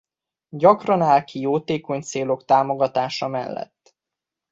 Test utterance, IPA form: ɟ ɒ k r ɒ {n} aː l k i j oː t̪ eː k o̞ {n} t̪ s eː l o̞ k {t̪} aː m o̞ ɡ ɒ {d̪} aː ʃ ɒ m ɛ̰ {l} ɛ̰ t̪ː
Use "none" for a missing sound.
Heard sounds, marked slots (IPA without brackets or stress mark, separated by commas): n, ɲ, t̪, t̪, lː